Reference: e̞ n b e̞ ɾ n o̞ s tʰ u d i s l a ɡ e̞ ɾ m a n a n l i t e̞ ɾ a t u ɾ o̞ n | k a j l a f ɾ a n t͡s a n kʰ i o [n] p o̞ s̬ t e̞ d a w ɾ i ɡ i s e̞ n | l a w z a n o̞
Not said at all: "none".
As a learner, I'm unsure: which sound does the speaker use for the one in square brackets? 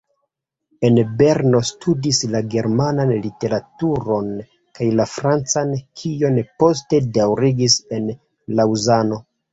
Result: n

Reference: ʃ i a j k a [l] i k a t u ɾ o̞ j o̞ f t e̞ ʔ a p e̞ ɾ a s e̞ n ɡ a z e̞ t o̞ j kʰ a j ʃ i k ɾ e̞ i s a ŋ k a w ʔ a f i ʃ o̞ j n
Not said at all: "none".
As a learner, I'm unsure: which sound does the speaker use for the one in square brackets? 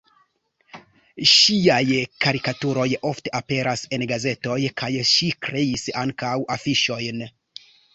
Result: ɾ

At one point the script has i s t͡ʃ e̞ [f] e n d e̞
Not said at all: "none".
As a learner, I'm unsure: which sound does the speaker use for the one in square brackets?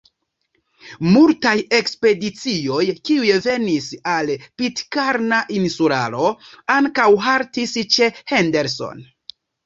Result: h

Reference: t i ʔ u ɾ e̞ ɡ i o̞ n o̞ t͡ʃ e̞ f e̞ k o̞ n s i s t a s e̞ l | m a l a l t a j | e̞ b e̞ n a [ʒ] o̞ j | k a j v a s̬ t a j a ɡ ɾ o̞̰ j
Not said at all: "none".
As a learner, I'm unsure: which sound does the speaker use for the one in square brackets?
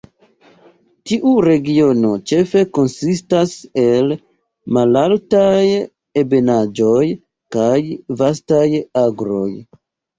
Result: d͡ʒ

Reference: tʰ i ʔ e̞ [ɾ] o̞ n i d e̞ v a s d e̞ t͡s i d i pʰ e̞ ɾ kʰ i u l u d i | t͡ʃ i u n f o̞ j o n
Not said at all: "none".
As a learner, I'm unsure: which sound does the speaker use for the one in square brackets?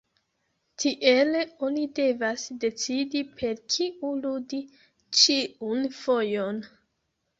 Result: l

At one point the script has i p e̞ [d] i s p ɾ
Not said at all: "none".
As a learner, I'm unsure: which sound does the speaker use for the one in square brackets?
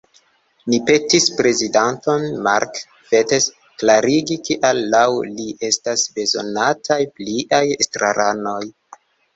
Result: t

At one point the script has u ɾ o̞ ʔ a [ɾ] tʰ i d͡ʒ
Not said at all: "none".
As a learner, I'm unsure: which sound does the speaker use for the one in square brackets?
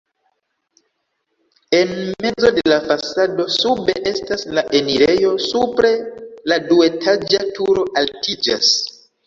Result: l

